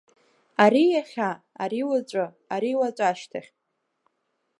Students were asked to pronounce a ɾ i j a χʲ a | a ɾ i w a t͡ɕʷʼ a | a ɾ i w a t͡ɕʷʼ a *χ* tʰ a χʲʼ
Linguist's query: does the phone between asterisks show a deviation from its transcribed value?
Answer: yes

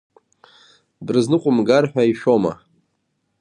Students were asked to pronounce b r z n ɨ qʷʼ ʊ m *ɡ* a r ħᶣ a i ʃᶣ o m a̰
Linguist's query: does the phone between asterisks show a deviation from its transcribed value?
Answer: no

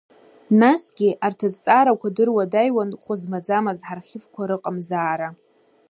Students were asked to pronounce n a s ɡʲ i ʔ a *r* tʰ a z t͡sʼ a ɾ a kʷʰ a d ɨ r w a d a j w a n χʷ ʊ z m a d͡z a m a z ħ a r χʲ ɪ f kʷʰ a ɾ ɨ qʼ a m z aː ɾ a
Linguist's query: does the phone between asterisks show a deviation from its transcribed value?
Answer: no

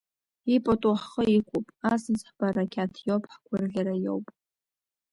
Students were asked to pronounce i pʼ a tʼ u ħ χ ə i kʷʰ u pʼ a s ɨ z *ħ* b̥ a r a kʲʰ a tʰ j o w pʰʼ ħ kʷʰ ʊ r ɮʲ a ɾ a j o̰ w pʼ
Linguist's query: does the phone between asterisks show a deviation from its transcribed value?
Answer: no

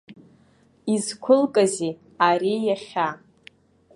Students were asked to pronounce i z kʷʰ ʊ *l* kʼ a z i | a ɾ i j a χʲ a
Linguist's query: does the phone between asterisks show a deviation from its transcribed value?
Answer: no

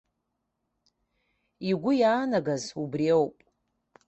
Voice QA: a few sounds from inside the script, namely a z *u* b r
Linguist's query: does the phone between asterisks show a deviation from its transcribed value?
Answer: no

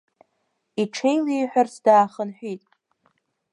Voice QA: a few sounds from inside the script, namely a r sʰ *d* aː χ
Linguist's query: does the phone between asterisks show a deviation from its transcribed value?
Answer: no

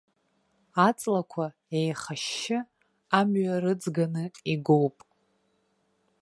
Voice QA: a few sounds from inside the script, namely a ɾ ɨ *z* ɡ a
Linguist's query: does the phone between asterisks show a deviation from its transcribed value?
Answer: yes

